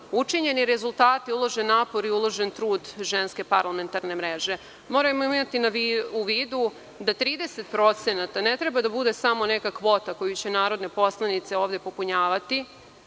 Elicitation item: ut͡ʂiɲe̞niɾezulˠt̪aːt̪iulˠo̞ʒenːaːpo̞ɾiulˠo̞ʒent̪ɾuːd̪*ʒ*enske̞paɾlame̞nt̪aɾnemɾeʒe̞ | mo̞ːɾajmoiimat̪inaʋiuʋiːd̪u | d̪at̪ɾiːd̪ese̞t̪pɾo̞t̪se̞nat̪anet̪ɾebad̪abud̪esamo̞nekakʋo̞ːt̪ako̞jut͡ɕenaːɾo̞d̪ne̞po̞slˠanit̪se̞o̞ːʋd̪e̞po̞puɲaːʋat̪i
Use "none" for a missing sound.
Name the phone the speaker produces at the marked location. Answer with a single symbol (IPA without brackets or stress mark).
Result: ʒ